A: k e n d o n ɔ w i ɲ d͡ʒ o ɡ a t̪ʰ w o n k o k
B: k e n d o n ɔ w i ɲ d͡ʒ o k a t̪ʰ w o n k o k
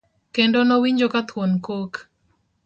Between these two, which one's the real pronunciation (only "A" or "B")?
B